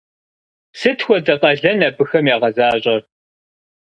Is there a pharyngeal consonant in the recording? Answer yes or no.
no